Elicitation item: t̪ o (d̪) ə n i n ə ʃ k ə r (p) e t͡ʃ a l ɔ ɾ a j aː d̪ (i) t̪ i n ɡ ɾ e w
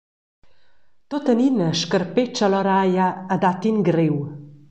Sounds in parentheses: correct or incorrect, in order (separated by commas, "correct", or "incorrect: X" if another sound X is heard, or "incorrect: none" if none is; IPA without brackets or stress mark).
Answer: incorrect: t̪, correct, incorrect: a